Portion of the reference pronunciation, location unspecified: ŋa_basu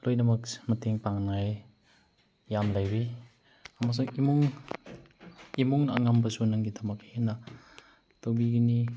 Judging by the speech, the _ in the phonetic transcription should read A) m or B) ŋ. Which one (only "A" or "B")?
A